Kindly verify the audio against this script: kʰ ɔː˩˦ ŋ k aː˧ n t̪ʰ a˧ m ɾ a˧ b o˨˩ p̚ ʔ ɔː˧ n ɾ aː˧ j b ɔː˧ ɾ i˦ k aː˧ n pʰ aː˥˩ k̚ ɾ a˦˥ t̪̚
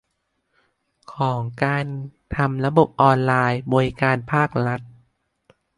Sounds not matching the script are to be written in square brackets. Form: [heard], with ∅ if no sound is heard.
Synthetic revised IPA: kʰ ɔː˩˦ ŋ k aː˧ n t̪ʰ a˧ m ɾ a˧ b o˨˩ p̚ ʔ ɔː˧ n [l] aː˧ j b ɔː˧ ɾ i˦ k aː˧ n pʰ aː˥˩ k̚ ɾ a˦˥ t̪̚